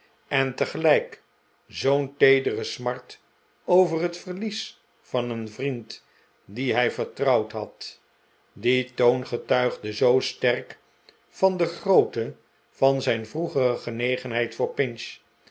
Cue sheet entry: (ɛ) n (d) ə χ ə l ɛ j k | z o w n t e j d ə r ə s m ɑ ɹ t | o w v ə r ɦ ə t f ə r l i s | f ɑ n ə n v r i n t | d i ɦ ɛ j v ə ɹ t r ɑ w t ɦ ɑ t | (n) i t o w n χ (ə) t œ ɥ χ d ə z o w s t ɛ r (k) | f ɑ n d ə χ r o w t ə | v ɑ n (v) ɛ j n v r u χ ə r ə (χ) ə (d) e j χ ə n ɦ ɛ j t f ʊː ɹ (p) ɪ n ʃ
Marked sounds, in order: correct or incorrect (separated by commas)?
correct, incorrect, incorrect, correct, correct, incorrect, correct, incorrect, correct